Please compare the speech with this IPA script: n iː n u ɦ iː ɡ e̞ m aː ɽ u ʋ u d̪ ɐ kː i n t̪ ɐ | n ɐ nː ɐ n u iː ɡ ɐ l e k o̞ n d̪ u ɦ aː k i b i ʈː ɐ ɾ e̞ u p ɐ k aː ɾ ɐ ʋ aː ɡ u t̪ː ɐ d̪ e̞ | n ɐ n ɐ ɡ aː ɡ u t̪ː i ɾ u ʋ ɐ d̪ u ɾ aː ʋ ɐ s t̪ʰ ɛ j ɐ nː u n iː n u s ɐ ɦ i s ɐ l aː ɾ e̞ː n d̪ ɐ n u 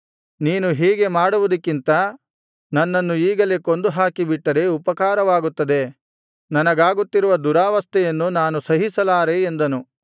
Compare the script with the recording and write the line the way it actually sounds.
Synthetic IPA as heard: n iː n u ɦ iː ɡ e̞ m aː ɽ u ʋ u d̪ ɐ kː i n t̪ ɐ | n ɐ nː ɐ nː u iː ɡ ɐ l e k o̞ n d̪ u ɦ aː k i b i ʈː ɐ ɾ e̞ u p ɐ k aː ɾ ɐ ʋ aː ɡ u t̪ː ɐ d̪ e̞ | n ɐ n ɐ ɡ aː ɡ u t̪ː i ɾ u ʋ ɐ d̪ u ɾ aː ʋ ɐ s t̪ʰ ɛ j ɐ nː u n aː n u s ɐ ɦ i s ɐ l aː ɾ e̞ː n d̪ ɐ n u